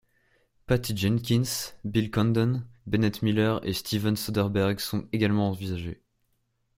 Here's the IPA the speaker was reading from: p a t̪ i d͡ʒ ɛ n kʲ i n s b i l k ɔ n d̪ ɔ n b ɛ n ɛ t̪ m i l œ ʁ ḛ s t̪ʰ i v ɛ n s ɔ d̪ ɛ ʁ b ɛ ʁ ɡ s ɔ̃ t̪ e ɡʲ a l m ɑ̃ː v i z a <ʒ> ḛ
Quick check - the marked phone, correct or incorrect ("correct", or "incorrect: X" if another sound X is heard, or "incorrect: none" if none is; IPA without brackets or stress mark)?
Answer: correct